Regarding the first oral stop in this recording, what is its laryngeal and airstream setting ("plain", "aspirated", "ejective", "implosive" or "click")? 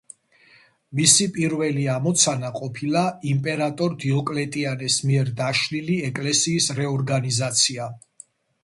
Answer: ejective